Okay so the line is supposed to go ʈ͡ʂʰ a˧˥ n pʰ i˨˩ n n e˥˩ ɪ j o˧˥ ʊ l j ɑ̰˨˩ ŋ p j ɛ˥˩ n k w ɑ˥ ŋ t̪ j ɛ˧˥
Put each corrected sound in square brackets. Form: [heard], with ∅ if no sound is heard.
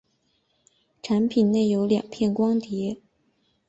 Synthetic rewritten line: ʈ͡ʂʰ a˧˥ n pʰ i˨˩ n n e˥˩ ɪ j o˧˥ ʊ l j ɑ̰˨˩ ŋ [pʰ] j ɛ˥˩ n k w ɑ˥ ŋ t̪ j ɛ˧˥